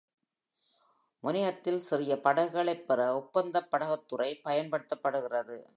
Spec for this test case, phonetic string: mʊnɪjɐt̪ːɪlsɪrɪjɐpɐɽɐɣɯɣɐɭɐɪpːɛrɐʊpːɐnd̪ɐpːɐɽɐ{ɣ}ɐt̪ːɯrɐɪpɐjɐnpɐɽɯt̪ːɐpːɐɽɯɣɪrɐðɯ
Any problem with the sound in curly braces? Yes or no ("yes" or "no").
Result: no